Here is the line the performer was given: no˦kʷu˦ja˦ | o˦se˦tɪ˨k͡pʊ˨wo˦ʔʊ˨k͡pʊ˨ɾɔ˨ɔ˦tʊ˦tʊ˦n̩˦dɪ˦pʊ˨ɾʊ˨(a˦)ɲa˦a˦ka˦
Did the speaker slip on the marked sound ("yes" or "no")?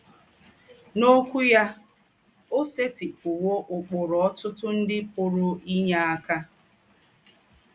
yes